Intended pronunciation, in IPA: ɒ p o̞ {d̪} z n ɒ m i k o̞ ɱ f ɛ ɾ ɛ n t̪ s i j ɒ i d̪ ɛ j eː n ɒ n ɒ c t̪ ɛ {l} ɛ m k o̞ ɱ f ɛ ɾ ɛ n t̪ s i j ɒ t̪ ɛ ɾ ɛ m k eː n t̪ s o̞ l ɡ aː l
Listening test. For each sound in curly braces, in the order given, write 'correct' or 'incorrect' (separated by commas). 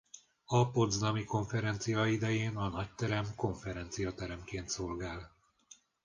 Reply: correct, incorrect